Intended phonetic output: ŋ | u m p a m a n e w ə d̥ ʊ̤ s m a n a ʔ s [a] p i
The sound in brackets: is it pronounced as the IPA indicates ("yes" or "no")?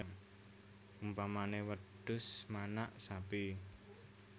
yes